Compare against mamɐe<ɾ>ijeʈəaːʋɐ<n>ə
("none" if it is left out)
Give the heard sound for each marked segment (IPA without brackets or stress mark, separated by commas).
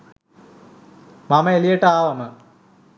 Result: l, m